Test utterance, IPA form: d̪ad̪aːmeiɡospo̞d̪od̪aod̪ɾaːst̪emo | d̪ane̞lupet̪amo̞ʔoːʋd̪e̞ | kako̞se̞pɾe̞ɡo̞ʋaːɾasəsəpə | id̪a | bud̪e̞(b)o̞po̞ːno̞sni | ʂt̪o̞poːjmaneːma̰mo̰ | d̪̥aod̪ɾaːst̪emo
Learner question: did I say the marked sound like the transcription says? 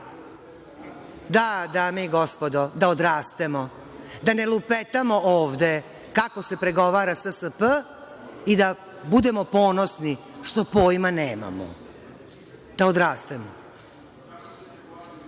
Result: no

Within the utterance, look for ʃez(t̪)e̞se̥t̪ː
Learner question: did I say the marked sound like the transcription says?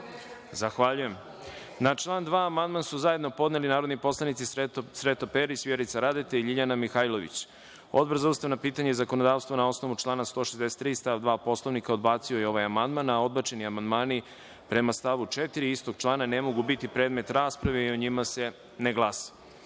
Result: no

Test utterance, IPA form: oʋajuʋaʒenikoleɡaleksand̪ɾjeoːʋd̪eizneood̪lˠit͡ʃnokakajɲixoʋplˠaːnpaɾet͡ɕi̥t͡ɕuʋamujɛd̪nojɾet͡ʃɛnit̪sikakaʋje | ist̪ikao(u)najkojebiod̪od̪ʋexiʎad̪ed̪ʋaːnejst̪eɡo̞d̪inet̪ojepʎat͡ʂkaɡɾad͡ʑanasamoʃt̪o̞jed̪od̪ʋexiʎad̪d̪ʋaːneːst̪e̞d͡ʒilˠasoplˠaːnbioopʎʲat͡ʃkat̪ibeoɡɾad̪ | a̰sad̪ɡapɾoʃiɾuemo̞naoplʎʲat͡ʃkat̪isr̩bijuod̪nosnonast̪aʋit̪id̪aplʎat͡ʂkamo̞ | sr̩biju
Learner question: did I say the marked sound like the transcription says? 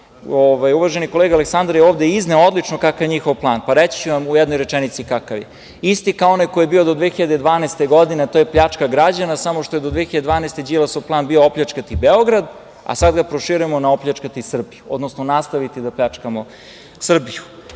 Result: no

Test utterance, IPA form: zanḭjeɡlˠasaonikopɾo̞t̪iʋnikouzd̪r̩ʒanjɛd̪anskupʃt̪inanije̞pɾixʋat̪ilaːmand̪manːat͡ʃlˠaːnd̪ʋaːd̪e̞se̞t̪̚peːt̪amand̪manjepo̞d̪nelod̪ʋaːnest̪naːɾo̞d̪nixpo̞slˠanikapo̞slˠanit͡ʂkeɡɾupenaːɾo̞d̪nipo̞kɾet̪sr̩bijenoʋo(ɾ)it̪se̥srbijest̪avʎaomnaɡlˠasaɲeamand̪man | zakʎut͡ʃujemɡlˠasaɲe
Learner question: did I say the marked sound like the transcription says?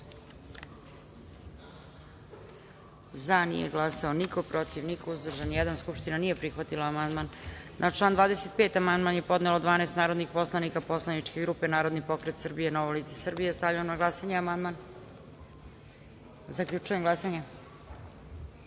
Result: no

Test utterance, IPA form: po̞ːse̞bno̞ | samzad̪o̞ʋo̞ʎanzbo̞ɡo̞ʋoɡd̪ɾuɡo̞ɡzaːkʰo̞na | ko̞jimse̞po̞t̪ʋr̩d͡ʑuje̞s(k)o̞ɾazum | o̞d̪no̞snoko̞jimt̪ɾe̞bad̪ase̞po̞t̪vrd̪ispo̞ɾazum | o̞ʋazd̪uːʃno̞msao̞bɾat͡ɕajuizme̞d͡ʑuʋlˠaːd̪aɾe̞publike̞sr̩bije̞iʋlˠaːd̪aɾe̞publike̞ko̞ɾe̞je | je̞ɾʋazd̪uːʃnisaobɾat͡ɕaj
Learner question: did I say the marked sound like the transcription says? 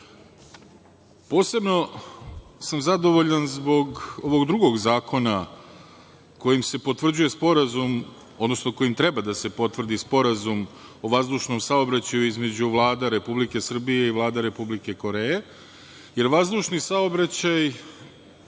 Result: no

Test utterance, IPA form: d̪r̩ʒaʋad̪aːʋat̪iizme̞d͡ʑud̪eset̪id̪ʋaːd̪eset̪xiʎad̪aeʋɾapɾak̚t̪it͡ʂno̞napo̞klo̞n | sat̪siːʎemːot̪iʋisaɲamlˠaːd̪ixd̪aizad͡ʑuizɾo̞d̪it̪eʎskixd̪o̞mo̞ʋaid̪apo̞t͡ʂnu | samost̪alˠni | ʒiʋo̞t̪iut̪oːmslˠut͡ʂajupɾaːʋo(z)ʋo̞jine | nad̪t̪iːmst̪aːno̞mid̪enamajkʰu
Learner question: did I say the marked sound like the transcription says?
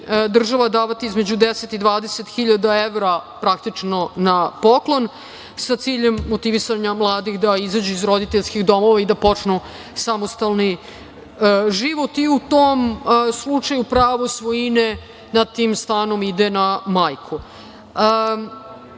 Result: no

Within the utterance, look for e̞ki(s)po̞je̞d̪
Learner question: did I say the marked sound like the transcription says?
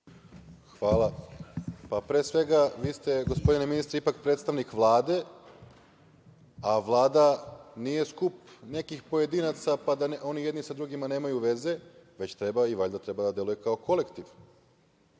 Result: no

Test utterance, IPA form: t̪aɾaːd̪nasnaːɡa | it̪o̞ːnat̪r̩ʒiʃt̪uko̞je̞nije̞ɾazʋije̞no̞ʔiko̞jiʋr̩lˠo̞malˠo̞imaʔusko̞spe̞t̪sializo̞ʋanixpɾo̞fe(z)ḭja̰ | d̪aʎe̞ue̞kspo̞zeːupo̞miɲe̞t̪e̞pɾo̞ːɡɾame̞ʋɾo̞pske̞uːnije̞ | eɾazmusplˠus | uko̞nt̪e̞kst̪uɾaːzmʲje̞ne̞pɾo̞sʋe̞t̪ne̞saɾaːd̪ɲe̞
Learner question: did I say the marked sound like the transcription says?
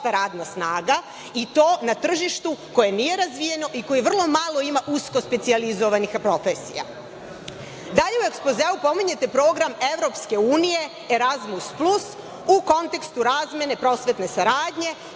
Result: no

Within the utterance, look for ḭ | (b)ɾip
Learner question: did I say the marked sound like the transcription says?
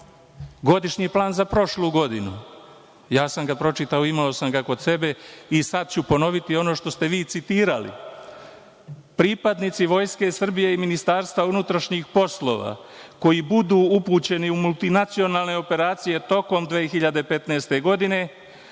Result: no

